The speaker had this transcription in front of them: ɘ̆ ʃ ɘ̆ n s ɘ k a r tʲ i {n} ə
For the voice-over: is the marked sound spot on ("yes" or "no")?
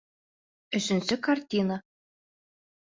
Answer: yes